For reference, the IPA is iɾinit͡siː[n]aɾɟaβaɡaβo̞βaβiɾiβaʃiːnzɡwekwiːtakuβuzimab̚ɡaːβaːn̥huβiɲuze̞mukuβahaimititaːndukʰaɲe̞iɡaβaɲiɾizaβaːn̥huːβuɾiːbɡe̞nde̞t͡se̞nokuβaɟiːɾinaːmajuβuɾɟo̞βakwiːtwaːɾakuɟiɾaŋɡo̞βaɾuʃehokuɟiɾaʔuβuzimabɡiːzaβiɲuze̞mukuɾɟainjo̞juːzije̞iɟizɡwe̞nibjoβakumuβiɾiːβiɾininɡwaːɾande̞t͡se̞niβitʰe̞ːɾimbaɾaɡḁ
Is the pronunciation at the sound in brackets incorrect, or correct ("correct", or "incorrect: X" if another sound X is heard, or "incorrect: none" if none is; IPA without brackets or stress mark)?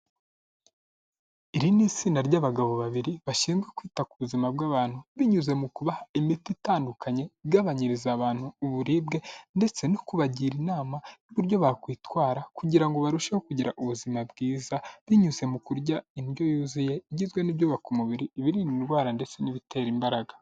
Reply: correct